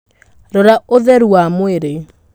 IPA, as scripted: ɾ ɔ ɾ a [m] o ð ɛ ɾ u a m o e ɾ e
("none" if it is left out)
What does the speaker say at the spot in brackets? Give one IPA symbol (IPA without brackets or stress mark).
none